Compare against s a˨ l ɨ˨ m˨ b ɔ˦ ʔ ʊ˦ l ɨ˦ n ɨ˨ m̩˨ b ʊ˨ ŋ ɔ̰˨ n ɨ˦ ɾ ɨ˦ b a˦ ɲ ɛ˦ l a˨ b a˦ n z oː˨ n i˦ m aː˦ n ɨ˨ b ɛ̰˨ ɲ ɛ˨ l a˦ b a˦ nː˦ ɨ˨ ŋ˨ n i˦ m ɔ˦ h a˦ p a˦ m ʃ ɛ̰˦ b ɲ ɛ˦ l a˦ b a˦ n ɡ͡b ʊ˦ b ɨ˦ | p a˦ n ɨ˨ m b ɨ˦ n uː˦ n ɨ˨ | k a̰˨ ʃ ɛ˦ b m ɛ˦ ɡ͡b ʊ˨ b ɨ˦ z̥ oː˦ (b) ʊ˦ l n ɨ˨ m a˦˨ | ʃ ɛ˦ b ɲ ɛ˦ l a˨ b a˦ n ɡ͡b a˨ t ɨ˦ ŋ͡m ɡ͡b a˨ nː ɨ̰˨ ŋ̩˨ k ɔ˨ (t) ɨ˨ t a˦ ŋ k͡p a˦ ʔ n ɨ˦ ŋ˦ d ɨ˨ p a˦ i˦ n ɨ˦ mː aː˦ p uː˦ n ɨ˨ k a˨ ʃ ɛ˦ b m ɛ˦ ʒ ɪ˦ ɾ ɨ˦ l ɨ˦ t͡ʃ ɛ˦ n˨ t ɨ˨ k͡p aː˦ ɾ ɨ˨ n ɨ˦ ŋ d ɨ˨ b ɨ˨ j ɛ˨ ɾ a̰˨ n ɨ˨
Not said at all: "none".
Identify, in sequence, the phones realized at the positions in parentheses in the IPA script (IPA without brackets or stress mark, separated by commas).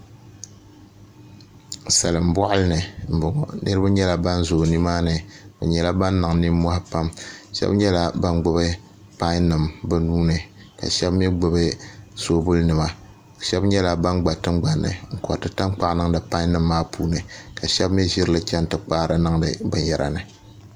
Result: b, t